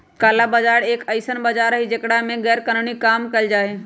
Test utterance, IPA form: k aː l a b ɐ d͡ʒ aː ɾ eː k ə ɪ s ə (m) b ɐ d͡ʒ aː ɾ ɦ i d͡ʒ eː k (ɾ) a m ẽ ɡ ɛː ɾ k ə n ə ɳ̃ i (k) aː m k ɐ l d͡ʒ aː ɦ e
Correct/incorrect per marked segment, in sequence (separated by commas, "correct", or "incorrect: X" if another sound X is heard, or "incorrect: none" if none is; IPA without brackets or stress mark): incorrect: n, incorrect: ɽ, correct